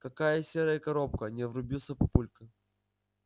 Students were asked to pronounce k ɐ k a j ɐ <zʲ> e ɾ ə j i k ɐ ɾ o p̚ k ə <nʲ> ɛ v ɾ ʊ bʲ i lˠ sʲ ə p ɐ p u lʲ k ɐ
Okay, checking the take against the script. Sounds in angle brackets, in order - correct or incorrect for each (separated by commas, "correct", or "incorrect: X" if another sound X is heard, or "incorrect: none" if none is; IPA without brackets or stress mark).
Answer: incorrect: sʲ, correct